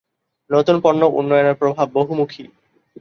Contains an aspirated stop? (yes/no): yes